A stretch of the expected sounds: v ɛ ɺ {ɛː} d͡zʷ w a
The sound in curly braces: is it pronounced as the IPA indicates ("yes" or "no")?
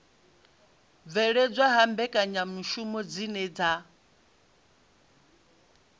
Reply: no